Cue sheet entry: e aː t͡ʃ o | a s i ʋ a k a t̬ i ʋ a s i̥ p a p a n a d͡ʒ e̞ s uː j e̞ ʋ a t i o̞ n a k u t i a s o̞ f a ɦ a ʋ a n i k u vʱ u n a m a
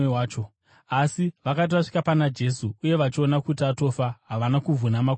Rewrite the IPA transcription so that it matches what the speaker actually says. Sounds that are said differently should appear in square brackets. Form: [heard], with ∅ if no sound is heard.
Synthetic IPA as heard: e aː t͡ʃ o | a s i ʋ a k a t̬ i ʋ a [ʂ] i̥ [k] a p a n a d͡ʒ e̞ s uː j e̞ ʋ a [t͡ʃ] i o̞ n a k u t i a [t] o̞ f a ɦ a ʋ a n [a] k u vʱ u n a m a